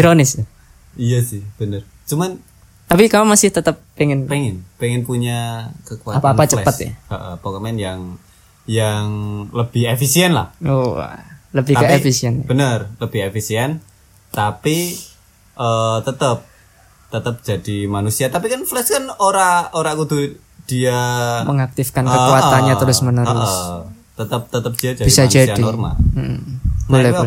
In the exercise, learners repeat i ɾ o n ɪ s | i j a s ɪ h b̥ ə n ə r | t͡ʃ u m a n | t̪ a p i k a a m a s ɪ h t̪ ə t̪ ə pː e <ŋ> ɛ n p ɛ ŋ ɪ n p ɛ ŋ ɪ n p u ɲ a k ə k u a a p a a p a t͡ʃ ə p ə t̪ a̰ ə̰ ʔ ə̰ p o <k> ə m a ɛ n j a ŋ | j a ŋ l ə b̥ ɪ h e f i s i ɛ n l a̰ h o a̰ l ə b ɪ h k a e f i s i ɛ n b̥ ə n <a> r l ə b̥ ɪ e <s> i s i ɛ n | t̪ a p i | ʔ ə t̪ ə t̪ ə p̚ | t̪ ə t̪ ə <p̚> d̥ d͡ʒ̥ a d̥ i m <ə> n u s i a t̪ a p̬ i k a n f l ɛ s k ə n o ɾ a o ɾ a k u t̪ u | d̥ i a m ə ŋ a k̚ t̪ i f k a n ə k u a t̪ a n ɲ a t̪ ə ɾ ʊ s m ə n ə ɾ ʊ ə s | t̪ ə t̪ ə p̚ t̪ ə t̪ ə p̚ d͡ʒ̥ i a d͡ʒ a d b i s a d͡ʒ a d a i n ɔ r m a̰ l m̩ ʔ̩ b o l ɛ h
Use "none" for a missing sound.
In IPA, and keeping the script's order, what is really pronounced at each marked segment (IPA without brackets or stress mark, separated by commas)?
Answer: ŋ, k, ə, f, p̚, a